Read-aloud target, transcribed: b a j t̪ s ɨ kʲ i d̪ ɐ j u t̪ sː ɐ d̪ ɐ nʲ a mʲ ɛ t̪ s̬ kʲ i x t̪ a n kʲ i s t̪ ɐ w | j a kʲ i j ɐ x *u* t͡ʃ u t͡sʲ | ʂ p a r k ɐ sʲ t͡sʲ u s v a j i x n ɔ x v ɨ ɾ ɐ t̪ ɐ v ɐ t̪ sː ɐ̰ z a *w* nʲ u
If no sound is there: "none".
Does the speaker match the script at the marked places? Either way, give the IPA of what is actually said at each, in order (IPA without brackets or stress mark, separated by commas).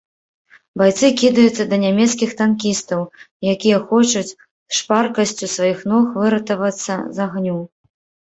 ɔ, ɣ